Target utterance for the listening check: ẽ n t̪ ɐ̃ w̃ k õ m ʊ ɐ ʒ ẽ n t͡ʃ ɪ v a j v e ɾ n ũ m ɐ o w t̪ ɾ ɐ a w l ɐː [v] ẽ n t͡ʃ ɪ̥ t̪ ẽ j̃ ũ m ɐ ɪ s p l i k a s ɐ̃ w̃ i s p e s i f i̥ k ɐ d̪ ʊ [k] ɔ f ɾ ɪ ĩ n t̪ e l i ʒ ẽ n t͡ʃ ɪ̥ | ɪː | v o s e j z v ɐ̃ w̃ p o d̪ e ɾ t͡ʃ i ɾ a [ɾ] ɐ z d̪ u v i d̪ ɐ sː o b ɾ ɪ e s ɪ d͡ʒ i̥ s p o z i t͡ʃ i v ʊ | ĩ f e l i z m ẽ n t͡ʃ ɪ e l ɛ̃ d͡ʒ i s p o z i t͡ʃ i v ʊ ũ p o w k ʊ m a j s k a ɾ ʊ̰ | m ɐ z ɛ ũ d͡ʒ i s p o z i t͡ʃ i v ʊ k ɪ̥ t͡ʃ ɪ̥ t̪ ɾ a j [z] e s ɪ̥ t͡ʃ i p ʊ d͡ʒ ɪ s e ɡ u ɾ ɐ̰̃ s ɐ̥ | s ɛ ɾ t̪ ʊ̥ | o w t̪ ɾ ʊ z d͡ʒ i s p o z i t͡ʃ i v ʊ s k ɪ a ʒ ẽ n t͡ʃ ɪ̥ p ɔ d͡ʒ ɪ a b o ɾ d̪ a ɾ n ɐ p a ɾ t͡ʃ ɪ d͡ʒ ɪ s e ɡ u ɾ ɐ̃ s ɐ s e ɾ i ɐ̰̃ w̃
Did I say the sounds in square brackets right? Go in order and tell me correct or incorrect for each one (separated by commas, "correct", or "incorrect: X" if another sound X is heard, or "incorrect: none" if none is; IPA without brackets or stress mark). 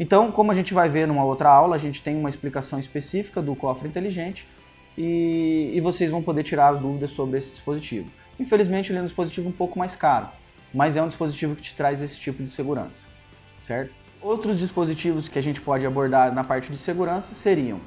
incorrect: ʒ, correct, correct, correct